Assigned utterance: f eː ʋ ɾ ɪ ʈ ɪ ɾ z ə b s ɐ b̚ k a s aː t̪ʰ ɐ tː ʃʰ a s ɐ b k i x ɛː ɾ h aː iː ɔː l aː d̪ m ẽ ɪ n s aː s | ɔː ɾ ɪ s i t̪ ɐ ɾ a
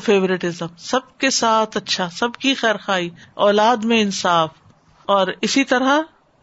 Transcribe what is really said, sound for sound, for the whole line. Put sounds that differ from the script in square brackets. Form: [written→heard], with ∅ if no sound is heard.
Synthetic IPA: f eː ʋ ɾ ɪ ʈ ɪ [ɾ→∅] z ə [b→m] s ɐ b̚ k [a→e] s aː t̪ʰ ɐ tː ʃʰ a s ɐ b k i x ɛː ɾ [h→x] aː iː ɔː l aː d̪ m ẽ ɪ n s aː [s→f] | ɔː ɾ ɪ s i t̪ ɐ ɾ a